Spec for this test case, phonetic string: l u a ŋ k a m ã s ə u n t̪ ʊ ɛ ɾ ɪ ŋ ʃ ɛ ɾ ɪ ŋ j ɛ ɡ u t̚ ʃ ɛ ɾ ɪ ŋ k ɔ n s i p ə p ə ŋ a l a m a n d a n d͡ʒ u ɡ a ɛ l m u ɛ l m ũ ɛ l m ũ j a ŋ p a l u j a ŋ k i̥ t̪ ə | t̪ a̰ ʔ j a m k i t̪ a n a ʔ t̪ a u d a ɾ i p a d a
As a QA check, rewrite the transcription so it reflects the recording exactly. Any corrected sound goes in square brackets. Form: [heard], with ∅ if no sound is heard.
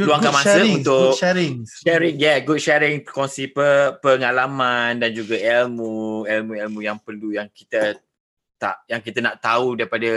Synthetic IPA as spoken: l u a ŋ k a m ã s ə u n t̪ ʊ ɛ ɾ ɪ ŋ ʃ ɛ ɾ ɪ ŋ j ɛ ɡ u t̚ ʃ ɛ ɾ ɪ ŋ k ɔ n s i p ə p ə ŋ a l a m a n d a n d͡ʒ u ɡ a ɛ l m u ɛ l m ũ ɛ l m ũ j a ŋ p [ə] l u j a ŋ k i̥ t̪ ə | t̪ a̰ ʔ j a [ŋ] k i t̪ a n a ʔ t̪ a u d a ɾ i p a d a